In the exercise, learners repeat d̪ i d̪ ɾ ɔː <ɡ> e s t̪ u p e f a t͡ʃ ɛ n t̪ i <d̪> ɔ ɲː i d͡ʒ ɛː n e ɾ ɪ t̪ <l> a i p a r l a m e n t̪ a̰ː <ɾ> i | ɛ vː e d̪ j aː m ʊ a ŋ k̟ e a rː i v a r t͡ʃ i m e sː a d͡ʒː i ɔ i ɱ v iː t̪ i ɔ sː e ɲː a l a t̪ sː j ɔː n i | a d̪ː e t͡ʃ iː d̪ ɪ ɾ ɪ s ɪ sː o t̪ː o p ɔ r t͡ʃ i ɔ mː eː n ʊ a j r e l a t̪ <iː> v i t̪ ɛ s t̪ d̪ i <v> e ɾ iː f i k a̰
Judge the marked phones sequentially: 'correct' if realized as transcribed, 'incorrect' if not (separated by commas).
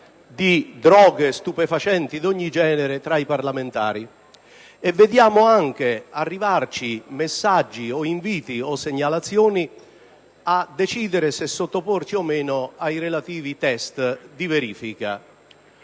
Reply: correct, correct, incorrect, correct, correct, correct